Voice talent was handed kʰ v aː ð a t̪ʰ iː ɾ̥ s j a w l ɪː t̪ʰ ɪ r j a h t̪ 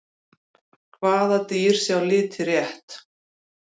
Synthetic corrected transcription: kʰ v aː ð a t̪ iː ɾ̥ s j a w l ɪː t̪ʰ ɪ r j ɛ h t̪